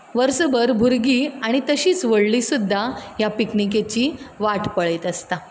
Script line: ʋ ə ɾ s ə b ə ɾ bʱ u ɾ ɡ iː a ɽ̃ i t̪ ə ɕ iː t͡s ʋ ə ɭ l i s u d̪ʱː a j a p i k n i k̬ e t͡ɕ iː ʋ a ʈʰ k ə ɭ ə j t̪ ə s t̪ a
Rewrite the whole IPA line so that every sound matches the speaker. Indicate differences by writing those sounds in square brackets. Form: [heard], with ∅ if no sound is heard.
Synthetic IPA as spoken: ʋ ə ɾ s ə b ə ɾ bʱ u ɾ ɡ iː a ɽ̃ i t̪ ə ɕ iː t͡s ʋ ə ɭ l i s u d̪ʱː a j a p i k n i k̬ e t͡ɕ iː ʋ a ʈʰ [p] ə ɭ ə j t̪ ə s t̪ a